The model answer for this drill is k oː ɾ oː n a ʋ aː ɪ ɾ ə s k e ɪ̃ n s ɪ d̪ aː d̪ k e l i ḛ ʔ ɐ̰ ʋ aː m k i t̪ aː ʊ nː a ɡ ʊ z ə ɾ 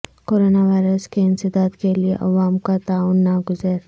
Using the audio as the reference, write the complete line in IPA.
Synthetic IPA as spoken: k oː ɾ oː n a ʋ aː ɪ ɾ ə s k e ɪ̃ n s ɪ d̪ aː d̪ k e l i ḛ ʔ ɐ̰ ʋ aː m k a t̪ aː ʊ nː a ɡ ʊ z ə ɾ